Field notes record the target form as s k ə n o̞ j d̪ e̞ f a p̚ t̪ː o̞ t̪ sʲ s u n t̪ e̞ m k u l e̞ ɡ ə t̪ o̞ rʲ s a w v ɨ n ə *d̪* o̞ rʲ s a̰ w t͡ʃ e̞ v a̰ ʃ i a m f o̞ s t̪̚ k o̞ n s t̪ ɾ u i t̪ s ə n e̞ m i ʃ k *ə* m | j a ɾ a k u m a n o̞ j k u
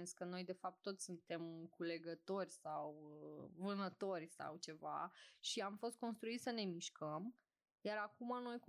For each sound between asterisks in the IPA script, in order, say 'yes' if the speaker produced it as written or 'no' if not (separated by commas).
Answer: no, yes